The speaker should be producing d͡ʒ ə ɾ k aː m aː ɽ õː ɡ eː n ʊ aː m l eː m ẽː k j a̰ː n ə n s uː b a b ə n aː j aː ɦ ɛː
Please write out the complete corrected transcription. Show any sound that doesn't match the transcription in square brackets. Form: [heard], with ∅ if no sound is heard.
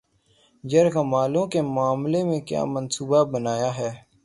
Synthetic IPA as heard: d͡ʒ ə ɾ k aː m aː [l] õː [k] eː [m] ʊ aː m l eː m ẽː k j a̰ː [m] ə n s uː b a b ə n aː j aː ɦ ɛː